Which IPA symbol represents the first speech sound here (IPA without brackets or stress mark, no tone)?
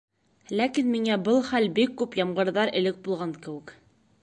l